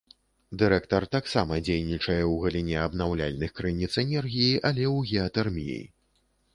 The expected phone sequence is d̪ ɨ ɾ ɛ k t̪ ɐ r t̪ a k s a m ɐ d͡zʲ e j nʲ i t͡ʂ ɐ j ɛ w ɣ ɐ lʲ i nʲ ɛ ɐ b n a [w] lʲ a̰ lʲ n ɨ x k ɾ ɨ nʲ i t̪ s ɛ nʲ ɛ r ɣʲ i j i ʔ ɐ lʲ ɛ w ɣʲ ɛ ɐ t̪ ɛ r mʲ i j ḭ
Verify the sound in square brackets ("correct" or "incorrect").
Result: correct